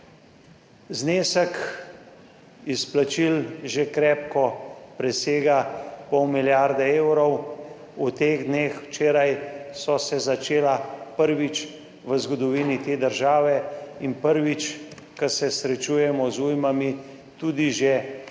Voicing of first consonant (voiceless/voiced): voiced